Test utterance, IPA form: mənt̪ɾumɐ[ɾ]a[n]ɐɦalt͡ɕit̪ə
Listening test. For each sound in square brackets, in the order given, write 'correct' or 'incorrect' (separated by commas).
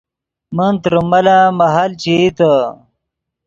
incorrect, incorrect